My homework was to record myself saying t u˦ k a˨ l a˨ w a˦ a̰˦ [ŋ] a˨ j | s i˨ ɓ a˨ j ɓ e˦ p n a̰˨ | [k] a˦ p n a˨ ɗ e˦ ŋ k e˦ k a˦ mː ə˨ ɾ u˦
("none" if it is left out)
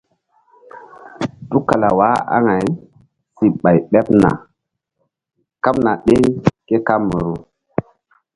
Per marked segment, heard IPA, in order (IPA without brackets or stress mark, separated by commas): ŋ, k